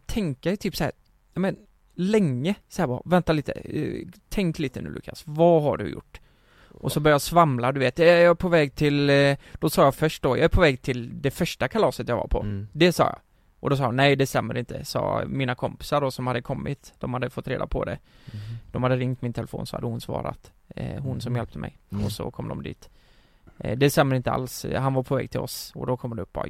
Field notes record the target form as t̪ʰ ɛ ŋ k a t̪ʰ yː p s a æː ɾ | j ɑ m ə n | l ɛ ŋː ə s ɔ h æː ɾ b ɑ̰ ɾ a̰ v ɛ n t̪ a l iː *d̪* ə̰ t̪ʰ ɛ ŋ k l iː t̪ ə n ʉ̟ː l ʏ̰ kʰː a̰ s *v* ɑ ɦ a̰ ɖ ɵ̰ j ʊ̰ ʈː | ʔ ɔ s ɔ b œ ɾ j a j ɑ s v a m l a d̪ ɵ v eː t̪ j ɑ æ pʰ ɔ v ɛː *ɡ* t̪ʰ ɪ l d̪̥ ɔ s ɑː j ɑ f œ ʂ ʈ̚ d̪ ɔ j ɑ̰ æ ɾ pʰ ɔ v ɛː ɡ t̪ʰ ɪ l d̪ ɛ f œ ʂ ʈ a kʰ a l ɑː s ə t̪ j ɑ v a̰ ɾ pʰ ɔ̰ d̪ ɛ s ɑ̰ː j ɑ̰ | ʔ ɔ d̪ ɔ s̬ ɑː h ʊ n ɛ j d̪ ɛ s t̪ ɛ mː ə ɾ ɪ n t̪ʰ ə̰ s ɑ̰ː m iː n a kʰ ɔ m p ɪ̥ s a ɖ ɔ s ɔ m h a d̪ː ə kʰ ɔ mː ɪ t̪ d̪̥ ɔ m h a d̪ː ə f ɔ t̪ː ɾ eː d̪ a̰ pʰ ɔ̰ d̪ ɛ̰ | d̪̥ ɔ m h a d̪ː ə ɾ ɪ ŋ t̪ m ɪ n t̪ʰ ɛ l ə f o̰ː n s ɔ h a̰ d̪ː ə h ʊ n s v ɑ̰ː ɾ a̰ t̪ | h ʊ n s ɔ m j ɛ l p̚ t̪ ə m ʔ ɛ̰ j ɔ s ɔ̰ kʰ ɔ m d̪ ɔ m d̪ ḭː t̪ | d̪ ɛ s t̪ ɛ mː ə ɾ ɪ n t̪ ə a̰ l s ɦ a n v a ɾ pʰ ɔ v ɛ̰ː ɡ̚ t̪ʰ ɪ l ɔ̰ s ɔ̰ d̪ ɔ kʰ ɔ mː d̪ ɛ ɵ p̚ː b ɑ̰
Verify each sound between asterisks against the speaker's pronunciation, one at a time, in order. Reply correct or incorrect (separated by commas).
incorrect, correct, correct